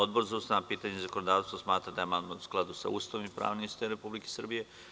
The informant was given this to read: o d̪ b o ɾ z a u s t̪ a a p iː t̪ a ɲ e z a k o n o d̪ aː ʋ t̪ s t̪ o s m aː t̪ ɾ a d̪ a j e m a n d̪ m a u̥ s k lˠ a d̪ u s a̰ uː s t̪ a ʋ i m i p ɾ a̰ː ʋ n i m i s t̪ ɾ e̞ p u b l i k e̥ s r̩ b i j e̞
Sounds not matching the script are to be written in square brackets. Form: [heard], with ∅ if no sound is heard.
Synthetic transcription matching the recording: o d̪ b o ɾ z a u s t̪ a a p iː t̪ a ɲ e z a k o n o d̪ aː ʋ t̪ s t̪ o s m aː t̪ ɾ a d̪ a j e m a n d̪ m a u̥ s k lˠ a d̪ u s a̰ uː s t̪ a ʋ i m i p ɾ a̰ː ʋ n i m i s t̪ ɾ e̞ p u b l i k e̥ s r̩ b i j e̞

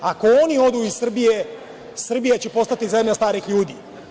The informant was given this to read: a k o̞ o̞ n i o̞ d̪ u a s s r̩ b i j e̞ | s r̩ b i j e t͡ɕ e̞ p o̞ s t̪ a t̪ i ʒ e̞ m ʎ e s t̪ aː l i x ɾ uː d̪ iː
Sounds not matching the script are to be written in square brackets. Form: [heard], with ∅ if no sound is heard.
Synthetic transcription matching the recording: a k o̞ o̞ n i o̞ d̪ u [i] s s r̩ b i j e̞ | s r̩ b i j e t͡ɕ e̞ p o̞ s t̪ a t̪ i [z] e̞ m ʎ [a] s t̪ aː [ɾ] i x [ʎ] uː d̪ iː

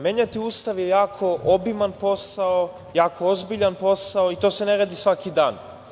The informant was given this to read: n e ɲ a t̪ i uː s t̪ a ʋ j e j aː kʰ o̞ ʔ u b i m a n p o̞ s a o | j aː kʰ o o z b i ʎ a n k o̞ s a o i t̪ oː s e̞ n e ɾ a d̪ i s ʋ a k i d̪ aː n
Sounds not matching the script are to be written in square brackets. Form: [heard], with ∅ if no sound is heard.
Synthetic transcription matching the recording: [m] e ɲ a t̪ i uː s t̪ a ʋ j e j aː kʰ o̞ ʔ [o] b i m a n p o̞ s a o | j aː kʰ o o z b i ʎ a n [p] o̞ s a o i t̪ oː s e̞ n e ɾ a d̪ i s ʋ a k i d̪ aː n

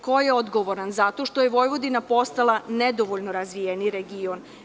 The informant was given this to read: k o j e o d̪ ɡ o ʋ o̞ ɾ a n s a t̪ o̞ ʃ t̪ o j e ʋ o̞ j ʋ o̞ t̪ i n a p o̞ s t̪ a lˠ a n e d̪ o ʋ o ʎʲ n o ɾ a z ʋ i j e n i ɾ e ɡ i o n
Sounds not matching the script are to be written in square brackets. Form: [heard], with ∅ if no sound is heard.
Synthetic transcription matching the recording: k o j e o d̪ ɡ o ʋ o̞ ɾ a n [z] a t̪ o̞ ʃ t̪ o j e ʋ o̞ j ʋ o̞ [d̪] i n a p o̞ s t̪ a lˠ a n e d̪ o ʋ o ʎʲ n o ɾ a z ʋ i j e n i ɾ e ɡ i o n

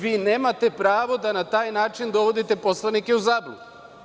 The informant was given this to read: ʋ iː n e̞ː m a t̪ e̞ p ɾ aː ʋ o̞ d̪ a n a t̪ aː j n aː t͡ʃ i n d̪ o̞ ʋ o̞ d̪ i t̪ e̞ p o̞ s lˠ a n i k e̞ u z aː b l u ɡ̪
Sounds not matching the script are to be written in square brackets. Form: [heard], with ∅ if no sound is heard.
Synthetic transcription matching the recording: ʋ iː n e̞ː m a t̪ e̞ p ɾ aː ʋ o̞ d̪ a n a t̪ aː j n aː t͡ʃ i n d̪ o̞ ʋ o̞ d̪ i t̪ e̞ p o̞ s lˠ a n i k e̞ u z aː b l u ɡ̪

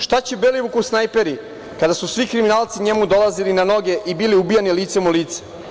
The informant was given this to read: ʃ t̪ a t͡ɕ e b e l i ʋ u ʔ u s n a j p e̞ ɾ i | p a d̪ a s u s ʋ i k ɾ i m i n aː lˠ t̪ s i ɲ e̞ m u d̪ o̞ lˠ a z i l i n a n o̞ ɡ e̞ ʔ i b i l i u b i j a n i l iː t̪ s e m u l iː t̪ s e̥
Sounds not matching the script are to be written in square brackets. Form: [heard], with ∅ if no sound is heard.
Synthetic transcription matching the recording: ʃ t̪ a t͡ɕ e b e l i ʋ u [k] u s n a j p e̞ ɾ i | [k] a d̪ a s u s ʋ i k ɾ i m i n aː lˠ t̪ s i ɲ e̞ m u d̪ o̞ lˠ a z i l i n a n o̞ ɡ e̞ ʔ i b i l i u b i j a n i l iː t̪ s e m u l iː t̪ s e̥

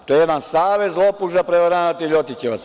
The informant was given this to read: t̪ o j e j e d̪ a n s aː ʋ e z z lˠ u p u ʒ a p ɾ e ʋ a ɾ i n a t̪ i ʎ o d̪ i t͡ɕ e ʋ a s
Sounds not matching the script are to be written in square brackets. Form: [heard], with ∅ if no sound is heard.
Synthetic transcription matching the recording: t̪ o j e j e d̪ a n s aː ʋ e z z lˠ [o] p u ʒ a p ɾ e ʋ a ɾ [a] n a t̪ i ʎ o [t̪] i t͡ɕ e ʋ a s

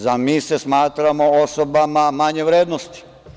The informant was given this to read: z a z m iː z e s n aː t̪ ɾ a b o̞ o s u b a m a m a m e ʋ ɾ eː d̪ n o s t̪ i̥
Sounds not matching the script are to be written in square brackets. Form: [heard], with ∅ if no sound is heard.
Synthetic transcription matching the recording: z a [∅] m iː [s] e s [m] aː t̪ ɾ a [m] o̞ o s [o] b a m a m a [ɲ] e ʋ ɾ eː d̪ n o s t̪ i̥

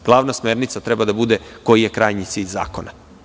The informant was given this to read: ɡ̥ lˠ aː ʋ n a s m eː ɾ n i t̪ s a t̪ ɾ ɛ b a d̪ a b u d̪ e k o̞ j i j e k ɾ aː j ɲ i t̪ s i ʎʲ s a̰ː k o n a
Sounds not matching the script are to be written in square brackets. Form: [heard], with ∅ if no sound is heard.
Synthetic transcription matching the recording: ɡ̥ lˠ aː ʋ n a s m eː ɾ n i t̪ s a t̪ ɾ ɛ b a d̪ a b u d̪ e k o̞ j i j e k ɾ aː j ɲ i t̪ s i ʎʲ [z] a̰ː k o n a

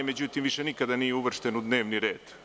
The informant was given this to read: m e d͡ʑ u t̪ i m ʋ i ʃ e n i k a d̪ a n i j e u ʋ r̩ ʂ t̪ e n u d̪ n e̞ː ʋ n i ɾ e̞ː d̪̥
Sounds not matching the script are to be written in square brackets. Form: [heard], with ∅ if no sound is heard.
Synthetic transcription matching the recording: m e d͡ʑ u t̪ i m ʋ i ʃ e n i k a d̪ a n i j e u ʋ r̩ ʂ t̪ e n u d̪ n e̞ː ʋ n i ɾ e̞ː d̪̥

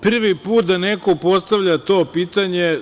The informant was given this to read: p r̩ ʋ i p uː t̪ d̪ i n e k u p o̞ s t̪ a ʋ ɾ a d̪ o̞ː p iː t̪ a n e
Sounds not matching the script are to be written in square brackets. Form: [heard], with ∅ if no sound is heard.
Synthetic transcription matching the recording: p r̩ ʋ i p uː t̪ d̪ [a] n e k [o] p o̞ s t̪ a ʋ [ʎ] a [t̪] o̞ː p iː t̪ a [ɲ] e

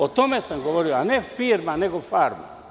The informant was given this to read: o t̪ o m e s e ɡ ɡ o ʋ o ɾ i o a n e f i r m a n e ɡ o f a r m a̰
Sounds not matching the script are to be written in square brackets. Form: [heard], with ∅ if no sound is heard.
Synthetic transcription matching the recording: o t̪ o m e s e [ŋ] ɡ o ʋ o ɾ i o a n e f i r m a n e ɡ o f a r m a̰

